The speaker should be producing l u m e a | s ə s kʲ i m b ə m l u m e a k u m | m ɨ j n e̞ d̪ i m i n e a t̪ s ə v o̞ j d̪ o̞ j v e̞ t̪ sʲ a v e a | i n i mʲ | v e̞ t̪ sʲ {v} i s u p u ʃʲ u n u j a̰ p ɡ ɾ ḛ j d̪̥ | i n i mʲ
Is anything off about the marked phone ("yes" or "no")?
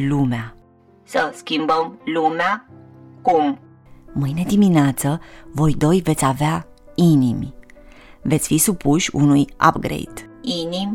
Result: yes